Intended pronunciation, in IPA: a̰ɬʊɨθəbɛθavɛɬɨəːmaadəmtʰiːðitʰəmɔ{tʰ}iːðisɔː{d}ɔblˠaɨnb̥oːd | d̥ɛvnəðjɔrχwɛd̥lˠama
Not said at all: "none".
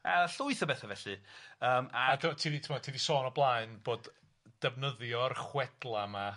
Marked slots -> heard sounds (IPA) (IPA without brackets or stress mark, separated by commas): tʰ, n